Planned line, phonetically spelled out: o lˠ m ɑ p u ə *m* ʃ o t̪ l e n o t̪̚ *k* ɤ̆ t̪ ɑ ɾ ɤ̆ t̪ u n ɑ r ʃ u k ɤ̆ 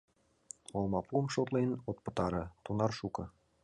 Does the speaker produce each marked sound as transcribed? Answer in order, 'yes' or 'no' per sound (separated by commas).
yes, no